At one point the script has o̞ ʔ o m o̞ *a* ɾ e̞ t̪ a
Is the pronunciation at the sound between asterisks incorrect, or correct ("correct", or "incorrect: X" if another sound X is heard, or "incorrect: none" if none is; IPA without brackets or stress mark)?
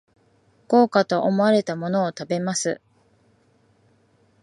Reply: correct